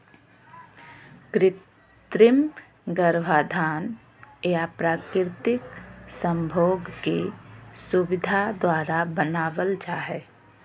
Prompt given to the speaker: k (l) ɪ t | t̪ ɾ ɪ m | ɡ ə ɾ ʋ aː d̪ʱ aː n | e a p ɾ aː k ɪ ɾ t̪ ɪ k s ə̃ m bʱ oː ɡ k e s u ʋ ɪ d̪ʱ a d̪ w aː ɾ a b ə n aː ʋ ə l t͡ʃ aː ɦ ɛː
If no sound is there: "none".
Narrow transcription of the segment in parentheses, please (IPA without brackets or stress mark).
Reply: ɾ